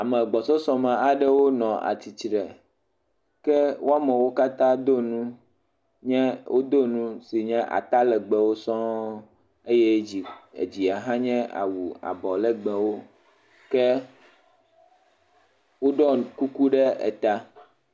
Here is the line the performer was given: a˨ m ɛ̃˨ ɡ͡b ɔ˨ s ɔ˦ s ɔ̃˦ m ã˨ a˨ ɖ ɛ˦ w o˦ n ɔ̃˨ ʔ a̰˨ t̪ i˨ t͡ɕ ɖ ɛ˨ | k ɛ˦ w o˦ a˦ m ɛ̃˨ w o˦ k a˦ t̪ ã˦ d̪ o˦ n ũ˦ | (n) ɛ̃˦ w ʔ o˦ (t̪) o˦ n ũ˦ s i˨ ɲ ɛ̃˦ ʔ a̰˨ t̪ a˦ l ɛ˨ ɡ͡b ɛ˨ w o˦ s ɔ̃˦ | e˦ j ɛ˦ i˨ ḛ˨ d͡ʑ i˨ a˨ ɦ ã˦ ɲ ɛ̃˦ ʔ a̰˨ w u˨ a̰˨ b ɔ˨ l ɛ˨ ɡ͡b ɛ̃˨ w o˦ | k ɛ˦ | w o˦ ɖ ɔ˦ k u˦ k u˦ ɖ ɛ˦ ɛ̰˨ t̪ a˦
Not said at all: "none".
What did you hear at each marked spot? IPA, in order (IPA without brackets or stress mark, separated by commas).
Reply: ɲ, d̪